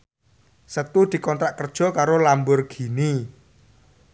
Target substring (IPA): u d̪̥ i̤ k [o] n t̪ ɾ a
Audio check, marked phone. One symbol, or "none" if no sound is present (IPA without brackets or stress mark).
ɔ